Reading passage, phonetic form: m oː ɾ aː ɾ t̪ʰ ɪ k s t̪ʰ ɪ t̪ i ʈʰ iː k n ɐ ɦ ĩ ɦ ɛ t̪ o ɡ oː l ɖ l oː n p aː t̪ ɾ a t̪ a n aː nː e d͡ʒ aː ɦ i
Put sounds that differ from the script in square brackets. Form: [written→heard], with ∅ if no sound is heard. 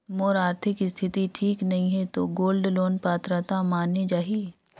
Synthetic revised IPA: m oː ɾ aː ɾ t̪ʰ ɪ k s t̪ʰ ɪ t̪ i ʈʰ iː k n ɐ ɦ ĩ ɦ ɛ t̪ o ɡ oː l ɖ l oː n p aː t̪ ɾ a t̪ a [n→m] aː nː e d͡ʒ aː ɦ i

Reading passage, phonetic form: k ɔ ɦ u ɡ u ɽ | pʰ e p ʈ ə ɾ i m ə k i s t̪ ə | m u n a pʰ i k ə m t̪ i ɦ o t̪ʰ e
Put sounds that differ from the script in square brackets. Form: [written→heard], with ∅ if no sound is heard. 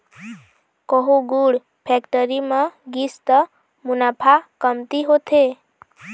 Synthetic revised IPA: k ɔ ɦ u ɡ u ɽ | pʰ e [p→k] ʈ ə ɾ i m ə [k→ɡ] i s t̪ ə | m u n a pʰ [i→a] k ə m t̪ i ɦ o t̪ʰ e

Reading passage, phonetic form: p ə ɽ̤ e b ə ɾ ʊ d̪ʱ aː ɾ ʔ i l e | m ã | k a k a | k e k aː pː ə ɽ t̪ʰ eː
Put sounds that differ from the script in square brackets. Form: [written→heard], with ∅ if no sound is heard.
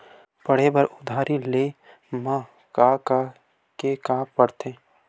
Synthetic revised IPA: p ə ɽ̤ e b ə ɾ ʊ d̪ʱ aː ɾ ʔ i l e | m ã | k a k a | k e k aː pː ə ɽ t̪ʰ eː

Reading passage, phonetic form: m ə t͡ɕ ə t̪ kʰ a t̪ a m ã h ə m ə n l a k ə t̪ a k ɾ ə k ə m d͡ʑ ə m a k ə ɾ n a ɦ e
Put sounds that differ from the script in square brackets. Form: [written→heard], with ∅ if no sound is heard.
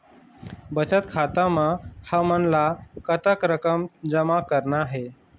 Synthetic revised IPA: [m→b] ə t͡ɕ ə t̪ kʰ a t̪ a m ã h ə m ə n l a k ə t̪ [a→ə] k ɾ ə k ə m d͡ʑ ə m a k ə ɾ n a ɦ e

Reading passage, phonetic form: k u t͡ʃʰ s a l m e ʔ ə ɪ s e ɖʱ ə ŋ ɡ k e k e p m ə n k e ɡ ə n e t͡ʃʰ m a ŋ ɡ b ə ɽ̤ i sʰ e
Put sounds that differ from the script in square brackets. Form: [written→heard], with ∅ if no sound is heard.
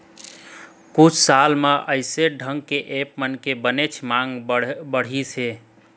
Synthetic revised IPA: k u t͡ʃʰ s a l m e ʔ ə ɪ s e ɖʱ ə ŋ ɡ k e [k→ʔ] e p m ə n k e [ɡ→b] ə n e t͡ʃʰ m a ŋ ɡ b ə ɽ̤ i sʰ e

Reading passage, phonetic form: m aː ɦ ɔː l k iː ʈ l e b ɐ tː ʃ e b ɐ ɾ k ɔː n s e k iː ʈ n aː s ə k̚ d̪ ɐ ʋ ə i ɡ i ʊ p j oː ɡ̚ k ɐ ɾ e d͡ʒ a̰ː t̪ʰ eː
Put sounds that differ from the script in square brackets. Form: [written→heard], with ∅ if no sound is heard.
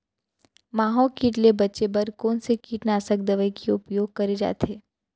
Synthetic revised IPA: m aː ɦ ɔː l k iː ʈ l e b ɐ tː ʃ e b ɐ ɾ k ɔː n s e k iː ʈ n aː s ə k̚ d̪ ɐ ʋ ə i [ɡ→k] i ʊ p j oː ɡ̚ k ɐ ɾ e d͡ʒ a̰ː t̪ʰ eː

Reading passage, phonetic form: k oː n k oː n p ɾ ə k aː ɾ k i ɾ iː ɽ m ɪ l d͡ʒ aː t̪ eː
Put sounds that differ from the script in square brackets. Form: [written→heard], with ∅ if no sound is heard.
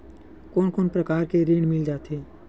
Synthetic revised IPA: k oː n k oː n p ɾ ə k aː ɾ k [i→e] ɾ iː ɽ m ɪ l d͡ʒ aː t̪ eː

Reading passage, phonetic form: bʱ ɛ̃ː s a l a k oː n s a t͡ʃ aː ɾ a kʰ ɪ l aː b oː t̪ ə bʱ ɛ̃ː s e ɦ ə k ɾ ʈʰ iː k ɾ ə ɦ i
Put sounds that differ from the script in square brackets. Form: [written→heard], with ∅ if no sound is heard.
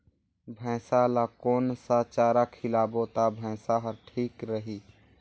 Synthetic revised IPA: bʱ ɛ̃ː s a l a k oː n s a t͡ʃ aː ɾ a kʰ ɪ l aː b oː t̪ [ə→a] bʱ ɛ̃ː s [e→a] ɦ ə [k→∅] ɾ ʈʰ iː k ɾ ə ɦ i

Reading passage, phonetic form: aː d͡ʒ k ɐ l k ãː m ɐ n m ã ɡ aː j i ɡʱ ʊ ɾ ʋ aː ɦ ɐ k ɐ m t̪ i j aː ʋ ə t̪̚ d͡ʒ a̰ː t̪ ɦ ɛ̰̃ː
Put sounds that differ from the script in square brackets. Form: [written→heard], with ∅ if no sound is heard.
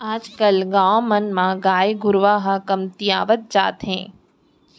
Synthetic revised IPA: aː d͡ʒ k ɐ l [k→ɡ] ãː m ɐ n m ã ɡ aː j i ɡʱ ʊ ɾ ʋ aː ɦ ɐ k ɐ m t̪ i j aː ʋ ə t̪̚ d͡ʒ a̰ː t̪ ɦ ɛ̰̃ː

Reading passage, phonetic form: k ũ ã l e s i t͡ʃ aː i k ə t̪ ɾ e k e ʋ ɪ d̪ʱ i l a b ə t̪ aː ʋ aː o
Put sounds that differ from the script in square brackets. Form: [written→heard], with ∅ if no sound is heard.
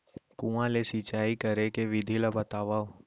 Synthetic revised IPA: k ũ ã l e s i t͡ʃ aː i k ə [t̪→∅] ɾ e k e ʋ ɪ d̪ʱ i l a b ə t̪ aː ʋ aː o

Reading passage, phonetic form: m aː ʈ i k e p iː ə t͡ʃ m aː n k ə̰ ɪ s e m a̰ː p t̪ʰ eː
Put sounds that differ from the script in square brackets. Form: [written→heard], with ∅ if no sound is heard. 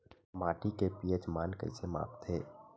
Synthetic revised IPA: m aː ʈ i k e p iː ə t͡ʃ m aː n k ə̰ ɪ s e m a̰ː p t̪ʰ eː

